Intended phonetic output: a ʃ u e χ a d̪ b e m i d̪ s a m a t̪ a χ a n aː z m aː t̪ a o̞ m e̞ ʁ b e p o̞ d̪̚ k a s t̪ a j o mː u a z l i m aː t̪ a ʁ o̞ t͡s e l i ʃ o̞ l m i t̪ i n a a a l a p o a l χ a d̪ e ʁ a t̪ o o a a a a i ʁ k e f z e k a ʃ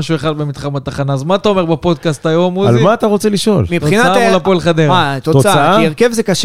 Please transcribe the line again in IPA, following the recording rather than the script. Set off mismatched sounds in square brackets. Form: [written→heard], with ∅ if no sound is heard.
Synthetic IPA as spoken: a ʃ u e χ a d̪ b e m i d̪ [s→χ] a m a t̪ a χ a n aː z m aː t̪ a o̞ m e̞ ʁ b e p o̞ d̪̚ k a s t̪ a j o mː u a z l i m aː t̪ a ʁ o̞ t͡s e l i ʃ o̞ l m i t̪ i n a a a l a p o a l χ a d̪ e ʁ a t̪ o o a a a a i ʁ k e [f→v] z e k a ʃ